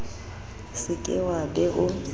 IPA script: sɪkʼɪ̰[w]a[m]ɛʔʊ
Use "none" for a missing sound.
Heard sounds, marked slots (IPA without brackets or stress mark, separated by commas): w, b